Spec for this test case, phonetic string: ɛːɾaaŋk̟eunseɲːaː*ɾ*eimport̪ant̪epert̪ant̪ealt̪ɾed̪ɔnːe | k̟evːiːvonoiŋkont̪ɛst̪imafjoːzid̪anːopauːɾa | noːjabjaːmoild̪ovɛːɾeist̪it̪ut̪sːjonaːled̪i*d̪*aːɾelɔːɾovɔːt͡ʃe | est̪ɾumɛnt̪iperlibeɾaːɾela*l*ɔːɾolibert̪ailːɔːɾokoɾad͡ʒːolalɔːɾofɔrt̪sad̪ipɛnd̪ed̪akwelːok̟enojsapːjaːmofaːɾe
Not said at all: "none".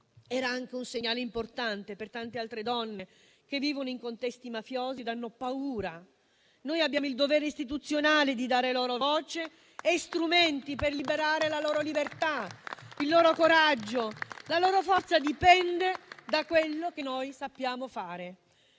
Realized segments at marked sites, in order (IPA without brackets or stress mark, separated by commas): l, d̪, l